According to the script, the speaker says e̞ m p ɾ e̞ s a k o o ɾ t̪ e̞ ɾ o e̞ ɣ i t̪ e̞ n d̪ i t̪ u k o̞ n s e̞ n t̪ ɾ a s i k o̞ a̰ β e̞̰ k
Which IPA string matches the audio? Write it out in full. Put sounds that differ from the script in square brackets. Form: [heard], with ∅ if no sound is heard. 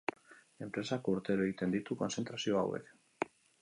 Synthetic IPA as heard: e̞ m p ɾ e̞ s a k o [u] ɾ t̪ e̞ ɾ o e̞ ɣ i t̪ e̞ n d̪ i t̪ u k o̞ n s e̞ n t̪ ɾ a s i [∅] o̞ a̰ [w] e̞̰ k